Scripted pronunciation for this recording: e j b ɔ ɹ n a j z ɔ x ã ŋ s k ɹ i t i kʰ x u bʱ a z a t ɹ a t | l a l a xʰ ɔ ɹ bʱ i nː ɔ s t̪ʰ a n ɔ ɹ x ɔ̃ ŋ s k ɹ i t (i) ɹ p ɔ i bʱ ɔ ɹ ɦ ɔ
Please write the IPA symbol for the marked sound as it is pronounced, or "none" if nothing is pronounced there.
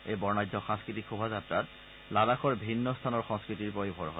i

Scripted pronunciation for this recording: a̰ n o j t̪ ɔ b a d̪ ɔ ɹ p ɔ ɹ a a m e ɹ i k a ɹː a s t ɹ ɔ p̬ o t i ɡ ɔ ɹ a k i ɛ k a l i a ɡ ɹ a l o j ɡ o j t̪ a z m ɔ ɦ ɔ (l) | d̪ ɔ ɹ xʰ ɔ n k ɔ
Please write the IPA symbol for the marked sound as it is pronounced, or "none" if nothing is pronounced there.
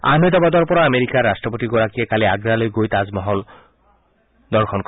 l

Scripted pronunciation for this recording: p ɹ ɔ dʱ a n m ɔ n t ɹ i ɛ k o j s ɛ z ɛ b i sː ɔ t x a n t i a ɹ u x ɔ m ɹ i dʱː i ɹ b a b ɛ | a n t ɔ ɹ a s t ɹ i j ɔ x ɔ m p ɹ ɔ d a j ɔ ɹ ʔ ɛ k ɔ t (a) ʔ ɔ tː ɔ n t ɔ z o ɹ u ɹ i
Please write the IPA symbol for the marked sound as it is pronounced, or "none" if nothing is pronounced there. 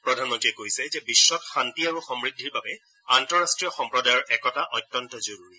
a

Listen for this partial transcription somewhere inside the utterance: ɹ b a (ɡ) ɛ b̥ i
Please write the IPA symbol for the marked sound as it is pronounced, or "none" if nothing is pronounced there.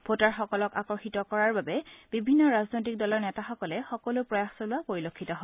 b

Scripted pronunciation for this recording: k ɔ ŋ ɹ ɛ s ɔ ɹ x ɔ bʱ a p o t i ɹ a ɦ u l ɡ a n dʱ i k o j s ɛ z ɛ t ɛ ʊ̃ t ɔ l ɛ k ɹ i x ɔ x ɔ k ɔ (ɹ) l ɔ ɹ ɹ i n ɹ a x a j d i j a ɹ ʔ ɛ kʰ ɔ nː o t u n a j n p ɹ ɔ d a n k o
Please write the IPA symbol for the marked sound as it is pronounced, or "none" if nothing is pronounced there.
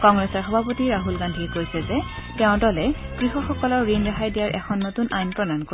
none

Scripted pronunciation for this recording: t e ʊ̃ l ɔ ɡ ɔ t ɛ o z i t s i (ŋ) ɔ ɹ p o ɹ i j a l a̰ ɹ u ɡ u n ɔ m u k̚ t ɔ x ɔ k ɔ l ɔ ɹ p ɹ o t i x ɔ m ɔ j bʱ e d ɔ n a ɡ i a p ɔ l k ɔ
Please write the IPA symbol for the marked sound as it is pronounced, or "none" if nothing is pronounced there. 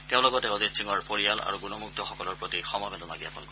ŋ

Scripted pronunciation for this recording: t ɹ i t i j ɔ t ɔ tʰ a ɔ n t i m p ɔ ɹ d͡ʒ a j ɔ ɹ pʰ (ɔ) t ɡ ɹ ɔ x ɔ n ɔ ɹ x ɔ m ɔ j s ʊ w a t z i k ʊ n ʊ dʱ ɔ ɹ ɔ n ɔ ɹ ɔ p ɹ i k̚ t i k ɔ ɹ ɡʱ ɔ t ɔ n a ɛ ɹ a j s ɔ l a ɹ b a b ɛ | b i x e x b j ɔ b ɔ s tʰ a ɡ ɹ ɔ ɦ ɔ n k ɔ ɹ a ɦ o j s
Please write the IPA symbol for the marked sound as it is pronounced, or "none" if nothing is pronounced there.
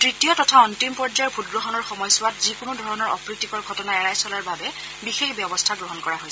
u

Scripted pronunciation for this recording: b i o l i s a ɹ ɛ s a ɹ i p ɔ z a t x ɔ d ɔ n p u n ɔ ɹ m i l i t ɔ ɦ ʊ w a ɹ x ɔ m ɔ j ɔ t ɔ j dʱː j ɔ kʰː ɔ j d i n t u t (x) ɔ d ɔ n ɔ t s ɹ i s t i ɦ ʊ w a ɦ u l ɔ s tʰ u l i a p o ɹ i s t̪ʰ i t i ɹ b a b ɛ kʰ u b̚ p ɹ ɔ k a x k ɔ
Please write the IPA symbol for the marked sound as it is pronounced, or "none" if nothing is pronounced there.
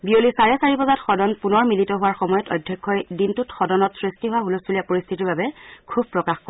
x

